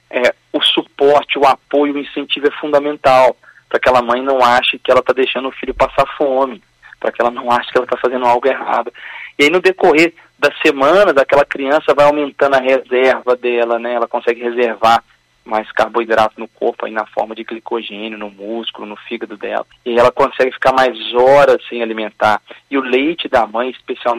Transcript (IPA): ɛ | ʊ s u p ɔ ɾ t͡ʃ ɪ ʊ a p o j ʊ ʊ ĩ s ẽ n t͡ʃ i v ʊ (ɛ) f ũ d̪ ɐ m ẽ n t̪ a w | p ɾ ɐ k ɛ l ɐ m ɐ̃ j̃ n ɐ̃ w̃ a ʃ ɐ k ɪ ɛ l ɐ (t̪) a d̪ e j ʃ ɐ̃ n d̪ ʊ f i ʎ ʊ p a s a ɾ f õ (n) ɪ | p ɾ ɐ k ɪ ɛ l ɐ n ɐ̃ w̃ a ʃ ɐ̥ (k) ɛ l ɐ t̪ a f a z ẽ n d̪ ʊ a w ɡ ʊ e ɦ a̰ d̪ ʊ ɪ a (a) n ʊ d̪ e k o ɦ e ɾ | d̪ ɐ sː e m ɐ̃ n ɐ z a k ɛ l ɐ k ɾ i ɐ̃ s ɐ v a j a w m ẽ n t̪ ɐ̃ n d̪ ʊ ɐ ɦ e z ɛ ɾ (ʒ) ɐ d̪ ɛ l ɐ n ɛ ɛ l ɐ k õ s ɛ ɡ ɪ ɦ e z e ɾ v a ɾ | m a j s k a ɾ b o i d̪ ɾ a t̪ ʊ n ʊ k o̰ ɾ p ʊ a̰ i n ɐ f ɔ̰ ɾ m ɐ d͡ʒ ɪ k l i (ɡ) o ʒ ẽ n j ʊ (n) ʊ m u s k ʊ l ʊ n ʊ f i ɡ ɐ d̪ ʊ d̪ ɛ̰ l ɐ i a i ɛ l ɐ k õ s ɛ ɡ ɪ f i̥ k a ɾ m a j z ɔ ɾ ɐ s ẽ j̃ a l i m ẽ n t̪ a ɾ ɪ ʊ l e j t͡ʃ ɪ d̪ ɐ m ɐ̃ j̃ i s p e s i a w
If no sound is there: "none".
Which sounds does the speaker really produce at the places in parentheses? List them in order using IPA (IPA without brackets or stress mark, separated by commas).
ɛ, t̪, m, k, i, v, k, n